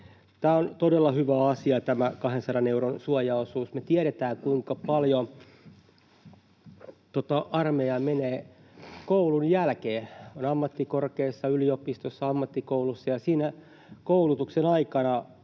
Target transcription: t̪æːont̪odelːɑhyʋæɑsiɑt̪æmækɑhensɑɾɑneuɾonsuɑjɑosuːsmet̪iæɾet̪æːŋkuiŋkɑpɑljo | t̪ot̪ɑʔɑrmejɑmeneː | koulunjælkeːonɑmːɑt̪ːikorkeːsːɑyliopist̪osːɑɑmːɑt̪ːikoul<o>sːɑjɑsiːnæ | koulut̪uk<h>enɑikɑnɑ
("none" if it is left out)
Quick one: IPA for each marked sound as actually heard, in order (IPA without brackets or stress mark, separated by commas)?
u, s